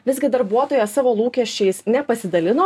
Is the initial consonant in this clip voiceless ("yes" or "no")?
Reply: no